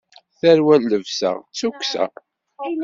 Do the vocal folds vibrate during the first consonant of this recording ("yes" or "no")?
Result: no